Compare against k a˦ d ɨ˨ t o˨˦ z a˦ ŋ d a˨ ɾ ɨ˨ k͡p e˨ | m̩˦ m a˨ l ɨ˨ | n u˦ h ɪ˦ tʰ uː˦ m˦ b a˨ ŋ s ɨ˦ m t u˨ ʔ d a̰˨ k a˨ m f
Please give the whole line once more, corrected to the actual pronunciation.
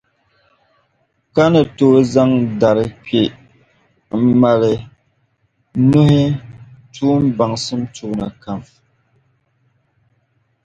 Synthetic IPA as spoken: k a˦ n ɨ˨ t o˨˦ z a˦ ŋ d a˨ ɾ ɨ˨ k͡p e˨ | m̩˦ m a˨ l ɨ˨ | n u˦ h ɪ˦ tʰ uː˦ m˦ b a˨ ŋ s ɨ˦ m t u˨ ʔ n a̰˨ k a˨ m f